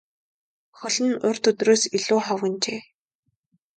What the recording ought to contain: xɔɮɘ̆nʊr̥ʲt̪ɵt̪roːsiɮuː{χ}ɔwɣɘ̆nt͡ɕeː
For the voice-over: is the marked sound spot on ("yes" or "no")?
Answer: yes